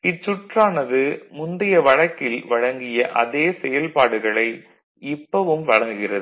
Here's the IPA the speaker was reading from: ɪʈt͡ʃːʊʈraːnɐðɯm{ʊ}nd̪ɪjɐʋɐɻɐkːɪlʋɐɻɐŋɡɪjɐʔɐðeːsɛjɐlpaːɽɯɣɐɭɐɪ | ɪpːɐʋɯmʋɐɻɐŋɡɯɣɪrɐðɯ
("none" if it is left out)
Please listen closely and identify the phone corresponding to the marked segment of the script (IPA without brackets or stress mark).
ʊ